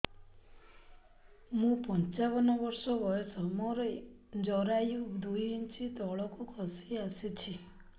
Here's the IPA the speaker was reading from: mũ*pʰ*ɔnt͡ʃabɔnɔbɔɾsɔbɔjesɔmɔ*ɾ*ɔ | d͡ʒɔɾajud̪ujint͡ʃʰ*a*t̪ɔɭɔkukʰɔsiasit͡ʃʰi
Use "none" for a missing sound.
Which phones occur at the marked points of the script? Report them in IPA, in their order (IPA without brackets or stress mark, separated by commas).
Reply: p, ɾ, i